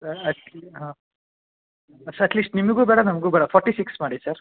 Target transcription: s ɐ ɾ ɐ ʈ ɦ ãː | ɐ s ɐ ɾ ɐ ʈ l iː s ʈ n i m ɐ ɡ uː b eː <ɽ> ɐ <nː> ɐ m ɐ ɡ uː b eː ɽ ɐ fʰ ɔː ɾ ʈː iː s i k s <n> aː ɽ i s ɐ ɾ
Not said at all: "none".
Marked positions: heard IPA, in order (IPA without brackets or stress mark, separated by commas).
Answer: ɽ, n, m